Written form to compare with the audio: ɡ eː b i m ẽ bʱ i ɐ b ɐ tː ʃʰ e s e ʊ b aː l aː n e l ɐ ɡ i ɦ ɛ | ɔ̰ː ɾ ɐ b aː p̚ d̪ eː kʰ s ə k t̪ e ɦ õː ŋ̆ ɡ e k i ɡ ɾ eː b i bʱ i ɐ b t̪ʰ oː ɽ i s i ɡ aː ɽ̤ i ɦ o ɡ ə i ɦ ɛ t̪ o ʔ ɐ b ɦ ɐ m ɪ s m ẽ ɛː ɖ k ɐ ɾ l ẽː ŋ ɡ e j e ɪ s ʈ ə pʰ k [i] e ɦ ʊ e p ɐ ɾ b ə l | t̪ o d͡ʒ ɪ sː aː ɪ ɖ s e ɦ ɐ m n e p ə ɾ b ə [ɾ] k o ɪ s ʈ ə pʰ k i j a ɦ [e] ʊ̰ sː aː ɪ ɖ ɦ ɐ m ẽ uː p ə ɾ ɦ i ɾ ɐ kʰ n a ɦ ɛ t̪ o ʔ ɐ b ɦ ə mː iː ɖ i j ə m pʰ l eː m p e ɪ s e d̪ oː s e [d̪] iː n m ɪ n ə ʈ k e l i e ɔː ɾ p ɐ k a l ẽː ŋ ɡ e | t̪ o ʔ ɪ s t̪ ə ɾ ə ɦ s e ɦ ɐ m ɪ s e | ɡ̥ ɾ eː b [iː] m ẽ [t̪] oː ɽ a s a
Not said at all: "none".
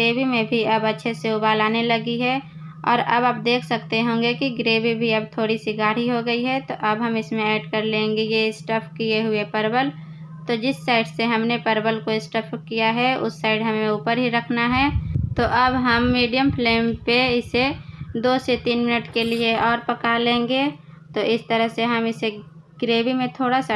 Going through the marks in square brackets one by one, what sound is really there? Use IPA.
i, l, ɛ, t̪, i, t̪ʰ

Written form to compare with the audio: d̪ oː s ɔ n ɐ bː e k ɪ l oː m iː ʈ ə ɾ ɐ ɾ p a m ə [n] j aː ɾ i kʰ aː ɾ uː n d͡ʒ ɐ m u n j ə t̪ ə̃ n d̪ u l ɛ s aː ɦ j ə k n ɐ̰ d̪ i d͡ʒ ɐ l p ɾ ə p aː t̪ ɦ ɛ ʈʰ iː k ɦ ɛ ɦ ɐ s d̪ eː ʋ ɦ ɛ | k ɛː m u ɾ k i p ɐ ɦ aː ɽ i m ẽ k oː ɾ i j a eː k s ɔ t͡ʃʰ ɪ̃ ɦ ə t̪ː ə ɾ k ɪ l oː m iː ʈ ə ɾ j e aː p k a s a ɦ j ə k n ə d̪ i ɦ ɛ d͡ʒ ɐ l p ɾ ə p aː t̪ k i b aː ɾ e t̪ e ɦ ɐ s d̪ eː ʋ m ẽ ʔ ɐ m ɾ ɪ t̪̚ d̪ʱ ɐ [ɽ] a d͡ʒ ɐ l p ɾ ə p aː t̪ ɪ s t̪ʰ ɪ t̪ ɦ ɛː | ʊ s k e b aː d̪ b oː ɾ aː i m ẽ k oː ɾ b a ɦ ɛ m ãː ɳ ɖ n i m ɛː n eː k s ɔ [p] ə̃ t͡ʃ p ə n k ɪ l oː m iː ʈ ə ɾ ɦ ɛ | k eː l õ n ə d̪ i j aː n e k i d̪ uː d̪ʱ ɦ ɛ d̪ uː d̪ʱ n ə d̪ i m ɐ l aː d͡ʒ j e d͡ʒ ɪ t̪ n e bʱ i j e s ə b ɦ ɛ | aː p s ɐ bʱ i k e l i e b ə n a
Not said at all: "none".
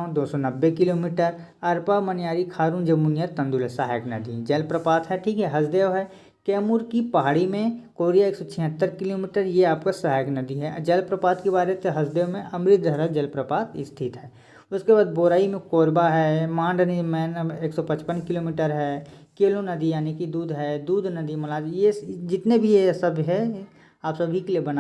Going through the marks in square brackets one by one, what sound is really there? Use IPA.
n, ɾ, p

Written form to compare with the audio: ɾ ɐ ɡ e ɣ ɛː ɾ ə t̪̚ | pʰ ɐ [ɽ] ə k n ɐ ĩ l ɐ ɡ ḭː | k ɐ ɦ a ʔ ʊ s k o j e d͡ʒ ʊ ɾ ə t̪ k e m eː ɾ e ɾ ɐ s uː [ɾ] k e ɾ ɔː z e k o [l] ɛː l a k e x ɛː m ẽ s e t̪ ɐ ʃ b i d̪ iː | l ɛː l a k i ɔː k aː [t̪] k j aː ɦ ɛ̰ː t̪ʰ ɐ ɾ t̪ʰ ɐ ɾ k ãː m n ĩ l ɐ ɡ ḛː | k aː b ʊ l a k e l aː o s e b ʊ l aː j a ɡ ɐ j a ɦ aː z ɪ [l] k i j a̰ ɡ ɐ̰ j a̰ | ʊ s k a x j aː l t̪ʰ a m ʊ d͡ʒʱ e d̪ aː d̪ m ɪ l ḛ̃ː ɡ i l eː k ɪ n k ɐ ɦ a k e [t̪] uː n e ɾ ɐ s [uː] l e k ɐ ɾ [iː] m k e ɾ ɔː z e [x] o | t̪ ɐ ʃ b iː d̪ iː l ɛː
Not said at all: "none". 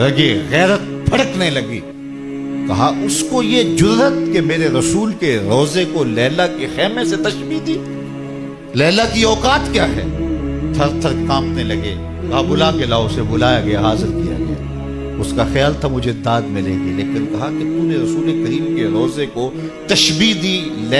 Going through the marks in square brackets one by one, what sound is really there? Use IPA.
ɽ, l, l, t̪, ɾ, t̪, uː, iː, k

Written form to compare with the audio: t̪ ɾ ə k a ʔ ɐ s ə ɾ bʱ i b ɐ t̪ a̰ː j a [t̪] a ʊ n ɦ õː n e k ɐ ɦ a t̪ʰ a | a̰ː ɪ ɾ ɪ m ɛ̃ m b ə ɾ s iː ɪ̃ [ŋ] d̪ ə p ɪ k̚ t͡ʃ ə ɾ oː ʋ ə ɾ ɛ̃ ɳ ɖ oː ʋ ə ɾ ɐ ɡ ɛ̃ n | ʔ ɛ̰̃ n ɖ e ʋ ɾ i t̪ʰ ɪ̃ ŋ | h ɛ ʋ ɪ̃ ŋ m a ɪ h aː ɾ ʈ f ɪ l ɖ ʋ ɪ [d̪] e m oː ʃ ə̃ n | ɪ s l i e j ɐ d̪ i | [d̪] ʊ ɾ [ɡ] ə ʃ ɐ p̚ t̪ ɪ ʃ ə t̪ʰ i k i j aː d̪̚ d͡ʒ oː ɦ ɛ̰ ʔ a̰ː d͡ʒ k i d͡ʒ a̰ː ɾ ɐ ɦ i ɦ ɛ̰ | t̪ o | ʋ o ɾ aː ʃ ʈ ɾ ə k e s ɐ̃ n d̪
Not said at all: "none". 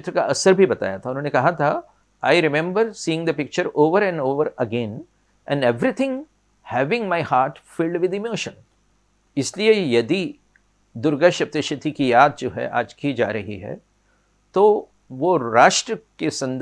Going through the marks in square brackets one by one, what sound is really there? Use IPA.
t̪ʰ, ŋ, d̪, d̪, ɡ

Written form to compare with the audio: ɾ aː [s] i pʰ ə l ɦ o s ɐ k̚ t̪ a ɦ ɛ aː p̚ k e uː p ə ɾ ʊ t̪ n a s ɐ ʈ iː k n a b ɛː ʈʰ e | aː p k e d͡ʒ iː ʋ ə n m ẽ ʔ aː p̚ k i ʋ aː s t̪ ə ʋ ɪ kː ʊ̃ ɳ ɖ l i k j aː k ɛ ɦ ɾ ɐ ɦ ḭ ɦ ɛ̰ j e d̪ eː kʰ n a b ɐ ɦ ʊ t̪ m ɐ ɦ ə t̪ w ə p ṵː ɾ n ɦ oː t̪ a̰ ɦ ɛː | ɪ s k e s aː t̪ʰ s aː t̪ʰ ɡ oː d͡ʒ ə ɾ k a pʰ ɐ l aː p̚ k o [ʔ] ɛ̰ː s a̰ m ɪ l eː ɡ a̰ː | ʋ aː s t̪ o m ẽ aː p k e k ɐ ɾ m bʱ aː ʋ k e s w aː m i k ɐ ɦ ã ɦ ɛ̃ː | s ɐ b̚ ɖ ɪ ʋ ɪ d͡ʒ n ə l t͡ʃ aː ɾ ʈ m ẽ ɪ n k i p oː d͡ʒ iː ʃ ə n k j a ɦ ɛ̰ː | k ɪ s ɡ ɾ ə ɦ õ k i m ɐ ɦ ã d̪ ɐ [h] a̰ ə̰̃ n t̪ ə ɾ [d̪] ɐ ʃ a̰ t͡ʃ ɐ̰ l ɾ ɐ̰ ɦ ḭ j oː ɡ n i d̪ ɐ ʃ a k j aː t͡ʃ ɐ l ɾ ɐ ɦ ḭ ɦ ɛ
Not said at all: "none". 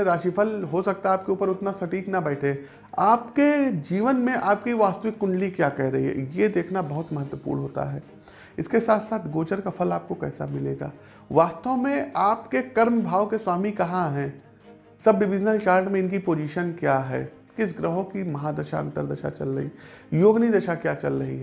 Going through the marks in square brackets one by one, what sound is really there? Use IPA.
ʃ, k, ʃ, d̪

